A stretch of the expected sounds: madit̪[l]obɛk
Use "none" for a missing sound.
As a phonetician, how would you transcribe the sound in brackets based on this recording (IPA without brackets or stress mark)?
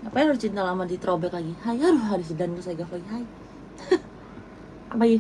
ɾ